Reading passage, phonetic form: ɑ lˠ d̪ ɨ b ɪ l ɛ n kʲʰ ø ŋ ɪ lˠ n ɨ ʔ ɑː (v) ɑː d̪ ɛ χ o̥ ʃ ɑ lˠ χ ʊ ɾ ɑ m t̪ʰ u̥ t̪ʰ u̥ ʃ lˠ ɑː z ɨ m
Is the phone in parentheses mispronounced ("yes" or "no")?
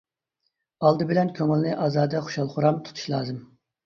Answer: yes